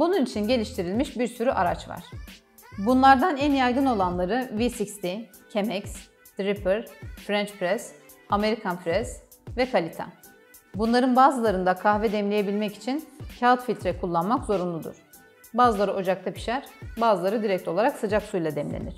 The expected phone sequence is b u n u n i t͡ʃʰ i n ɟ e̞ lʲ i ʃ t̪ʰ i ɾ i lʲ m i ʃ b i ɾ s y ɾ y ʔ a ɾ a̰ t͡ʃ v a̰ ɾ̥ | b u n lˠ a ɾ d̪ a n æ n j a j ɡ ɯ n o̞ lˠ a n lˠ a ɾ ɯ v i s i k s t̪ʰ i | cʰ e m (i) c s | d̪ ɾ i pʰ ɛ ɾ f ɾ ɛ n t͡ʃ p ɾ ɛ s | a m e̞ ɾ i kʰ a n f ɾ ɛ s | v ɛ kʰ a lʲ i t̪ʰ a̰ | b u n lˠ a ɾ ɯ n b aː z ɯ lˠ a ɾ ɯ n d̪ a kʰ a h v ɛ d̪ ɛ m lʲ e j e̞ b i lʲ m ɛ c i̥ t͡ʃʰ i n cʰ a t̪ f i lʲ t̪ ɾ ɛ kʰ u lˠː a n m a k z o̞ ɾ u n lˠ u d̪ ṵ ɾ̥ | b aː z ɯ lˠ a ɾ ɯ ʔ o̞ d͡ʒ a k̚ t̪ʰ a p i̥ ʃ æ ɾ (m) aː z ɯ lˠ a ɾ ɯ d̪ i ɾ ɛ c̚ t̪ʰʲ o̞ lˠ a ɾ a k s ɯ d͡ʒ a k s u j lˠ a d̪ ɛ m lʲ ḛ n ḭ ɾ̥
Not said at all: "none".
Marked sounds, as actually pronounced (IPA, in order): ɛ, b

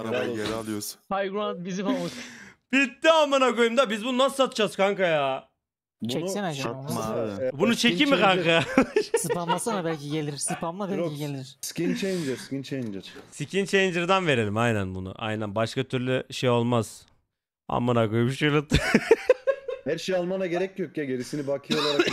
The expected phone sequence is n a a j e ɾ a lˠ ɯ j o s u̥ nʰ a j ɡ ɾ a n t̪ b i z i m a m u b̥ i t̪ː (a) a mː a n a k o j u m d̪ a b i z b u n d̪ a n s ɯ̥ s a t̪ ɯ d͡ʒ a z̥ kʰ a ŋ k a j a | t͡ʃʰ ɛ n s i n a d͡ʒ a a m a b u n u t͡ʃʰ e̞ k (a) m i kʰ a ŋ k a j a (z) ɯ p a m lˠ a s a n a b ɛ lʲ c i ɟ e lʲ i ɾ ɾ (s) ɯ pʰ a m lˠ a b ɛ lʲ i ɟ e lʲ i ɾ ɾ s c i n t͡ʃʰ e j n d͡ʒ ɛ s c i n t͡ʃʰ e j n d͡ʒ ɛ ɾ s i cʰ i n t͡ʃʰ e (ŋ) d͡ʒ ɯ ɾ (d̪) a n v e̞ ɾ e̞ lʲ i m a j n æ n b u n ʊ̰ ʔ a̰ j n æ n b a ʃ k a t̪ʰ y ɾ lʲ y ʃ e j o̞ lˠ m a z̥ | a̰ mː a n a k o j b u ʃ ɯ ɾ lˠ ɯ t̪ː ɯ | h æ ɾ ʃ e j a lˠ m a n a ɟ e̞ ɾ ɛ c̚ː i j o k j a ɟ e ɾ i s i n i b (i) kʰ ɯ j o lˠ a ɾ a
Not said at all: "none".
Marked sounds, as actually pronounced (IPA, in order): i, i, s, s, n, d̪, a

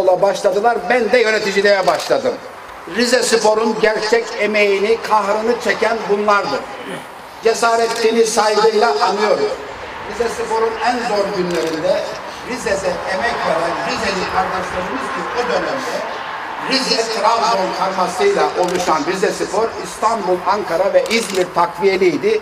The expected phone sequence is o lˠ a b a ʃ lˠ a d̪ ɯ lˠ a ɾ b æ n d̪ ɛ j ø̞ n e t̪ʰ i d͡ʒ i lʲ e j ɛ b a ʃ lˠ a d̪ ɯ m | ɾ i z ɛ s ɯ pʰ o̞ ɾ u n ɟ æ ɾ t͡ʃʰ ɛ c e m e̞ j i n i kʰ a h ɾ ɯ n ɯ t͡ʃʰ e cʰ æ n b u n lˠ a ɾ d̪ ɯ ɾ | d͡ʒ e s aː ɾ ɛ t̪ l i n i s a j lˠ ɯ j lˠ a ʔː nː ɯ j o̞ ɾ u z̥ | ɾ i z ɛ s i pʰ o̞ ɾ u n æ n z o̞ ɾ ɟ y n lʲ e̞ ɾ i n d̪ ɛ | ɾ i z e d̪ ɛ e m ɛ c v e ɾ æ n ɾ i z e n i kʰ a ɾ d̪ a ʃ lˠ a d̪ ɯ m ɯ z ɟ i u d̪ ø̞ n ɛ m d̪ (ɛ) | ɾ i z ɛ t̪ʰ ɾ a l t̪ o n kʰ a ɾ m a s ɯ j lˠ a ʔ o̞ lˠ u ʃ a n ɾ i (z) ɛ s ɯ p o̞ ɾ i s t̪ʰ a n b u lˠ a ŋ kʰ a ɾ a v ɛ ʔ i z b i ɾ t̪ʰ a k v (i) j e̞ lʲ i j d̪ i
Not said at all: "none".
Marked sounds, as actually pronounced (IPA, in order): ɛ, z, i

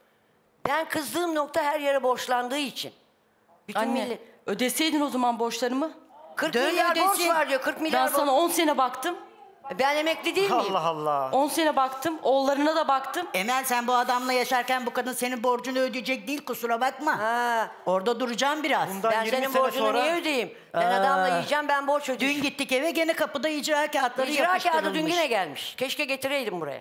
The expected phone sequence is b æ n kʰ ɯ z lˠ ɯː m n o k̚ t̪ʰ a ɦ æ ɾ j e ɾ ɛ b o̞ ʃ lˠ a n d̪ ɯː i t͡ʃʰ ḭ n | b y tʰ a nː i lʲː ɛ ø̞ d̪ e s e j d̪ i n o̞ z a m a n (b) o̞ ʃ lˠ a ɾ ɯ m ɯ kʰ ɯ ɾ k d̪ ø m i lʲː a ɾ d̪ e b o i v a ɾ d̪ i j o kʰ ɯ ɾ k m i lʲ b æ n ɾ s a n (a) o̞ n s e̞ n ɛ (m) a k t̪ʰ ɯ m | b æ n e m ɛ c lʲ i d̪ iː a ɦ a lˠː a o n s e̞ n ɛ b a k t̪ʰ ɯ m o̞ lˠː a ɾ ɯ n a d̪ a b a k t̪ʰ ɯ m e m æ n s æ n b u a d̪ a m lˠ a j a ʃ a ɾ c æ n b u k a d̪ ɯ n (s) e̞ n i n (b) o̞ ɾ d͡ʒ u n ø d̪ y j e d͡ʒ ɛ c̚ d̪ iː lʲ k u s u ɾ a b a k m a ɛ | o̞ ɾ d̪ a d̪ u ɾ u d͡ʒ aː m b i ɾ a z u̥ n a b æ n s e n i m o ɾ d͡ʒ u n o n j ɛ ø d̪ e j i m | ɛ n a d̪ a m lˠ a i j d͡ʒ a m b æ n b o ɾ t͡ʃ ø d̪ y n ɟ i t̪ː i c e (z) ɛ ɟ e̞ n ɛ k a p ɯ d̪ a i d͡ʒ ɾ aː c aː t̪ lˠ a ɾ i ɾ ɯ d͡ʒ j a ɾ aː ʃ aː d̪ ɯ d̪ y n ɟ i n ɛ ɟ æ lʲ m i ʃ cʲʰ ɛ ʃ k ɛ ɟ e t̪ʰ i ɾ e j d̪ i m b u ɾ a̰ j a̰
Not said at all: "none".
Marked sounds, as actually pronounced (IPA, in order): b, a, b, s, b, v

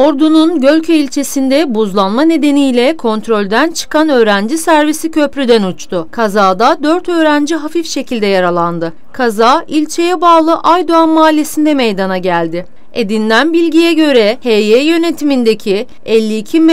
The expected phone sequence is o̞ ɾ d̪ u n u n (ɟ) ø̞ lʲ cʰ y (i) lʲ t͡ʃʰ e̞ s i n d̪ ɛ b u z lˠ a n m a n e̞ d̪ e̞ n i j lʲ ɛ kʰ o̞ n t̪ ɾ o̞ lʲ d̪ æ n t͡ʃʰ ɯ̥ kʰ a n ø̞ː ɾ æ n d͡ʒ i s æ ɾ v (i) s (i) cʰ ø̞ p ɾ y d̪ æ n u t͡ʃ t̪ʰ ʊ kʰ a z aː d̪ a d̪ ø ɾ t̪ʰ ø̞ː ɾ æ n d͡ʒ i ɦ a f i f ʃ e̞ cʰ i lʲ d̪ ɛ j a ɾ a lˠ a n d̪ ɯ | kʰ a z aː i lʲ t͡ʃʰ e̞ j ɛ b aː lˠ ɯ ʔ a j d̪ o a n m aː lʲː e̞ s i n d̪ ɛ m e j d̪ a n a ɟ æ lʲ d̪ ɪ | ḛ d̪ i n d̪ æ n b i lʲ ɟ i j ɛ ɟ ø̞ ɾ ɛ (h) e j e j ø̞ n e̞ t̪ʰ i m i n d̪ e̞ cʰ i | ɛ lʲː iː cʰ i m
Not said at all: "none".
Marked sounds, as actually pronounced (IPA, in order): ɟ, i, i, i, h

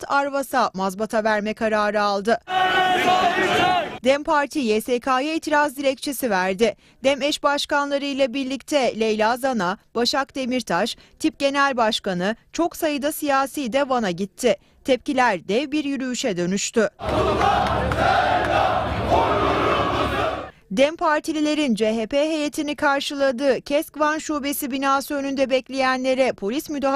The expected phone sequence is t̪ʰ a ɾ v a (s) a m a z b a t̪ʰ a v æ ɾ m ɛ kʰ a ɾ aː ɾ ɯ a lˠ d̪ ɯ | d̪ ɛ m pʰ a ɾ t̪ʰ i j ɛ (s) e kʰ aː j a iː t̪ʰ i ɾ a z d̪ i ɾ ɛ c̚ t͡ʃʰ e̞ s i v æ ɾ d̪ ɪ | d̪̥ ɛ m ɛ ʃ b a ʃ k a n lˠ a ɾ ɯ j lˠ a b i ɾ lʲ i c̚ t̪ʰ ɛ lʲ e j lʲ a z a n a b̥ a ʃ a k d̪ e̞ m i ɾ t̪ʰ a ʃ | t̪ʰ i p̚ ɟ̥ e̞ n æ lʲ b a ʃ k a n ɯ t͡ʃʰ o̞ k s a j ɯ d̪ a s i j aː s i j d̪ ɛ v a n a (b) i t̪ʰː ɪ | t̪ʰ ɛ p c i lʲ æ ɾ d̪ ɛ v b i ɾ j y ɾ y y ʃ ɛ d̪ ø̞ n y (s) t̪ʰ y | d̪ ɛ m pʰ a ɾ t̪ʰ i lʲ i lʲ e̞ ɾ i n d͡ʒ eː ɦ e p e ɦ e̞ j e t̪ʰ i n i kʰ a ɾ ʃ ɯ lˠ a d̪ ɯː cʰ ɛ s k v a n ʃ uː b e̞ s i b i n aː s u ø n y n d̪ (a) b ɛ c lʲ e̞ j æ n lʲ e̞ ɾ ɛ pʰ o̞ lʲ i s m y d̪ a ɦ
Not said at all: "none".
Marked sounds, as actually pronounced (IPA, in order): s, s, ɟ, ʃ, ɛ

